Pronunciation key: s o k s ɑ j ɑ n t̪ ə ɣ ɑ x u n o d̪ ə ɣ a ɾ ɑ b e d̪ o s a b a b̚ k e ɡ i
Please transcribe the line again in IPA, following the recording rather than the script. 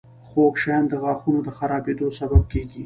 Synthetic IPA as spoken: x o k ʃ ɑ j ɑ n d̪ ə ɣ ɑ x u n o d̪ ə x a ɾ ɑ b e d̪ o s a b a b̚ k e ɡ i